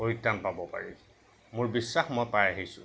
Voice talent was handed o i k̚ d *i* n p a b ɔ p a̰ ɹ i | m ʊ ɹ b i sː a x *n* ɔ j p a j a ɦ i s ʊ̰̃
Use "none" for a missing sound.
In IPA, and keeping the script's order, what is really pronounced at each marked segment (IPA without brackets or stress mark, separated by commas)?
a, m